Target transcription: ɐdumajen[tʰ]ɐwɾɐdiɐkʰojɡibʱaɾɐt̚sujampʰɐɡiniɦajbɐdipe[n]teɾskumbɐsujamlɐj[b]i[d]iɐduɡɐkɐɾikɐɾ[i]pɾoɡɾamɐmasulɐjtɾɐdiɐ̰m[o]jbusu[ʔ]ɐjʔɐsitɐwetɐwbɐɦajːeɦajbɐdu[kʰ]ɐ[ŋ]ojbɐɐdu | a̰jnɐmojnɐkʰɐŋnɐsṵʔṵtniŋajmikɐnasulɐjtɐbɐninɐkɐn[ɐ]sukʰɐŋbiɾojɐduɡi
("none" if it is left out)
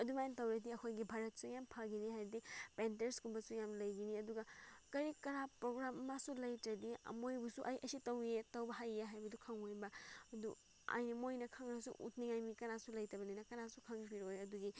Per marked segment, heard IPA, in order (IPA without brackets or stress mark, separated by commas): t, n, ɡ, n, a, o, ʔ, kʰ, ŋ, a